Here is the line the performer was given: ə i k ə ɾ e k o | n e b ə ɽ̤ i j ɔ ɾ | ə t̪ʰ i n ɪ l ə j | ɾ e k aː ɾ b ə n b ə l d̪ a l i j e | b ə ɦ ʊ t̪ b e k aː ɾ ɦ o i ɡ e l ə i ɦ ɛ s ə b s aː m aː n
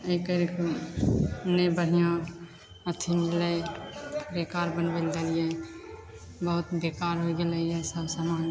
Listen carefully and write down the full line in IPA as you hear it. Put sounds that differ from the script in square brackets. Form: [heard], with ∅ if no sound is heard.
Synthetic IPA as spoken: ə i k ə ɾ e k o | n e b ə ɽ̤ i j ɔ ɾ | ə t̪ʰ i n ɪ l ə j | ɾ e k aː ɾ b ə n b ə l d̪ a l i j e | b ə ɦ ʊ t̪ b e k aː ɾ ɦ o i ɡ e l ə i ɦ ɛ s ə b s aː m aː n